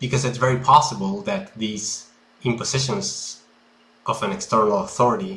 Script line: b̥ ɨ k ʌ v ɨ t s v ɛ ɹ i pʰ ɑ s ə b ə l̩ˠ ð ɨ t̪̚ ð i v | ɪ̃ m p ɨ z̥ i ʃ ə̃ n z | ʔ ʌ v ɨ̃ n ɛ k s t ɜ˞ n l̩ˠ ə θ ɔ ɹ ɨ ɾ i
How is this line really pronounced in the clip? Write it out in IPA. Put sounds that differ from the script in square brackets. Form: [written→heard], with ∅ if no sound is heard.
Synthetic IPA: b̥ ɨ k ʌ [v→z] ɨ t s v ɛ ɹ i pʰ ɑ s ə b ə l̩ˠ ð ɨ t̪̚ ð i [v→z] | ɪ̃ m p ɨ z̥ [i→ɪ] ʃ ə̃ n z | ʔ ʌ v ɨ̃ n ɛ k s t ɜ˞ n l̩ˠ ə θ ɔ ɹ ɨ ɾ i